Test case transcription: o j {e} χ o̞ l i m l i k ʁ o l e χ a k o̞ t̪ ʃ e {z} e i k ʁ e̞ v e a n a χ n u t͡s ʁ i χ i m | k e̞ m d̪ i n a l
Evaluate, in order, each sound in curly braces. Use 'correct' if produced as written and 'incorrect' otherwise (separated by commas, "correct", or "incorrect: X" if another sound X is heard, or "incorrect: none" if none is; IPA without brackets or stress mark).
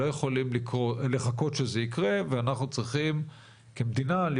correct, correct